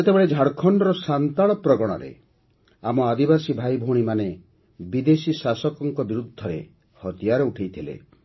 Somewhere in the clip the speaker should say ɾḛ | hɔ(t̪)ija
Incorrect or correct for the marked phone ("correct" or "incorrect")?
correct